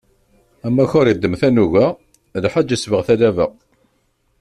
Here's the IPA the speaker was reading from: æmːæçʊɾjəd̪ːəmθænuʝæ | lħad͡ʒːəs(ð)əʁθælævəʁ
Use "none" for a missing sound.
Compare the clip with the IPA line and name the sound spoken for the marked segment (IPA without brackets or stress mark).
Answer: v